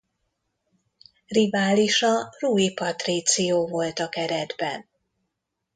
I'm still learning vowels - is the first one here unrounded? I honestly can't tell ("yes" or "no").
yes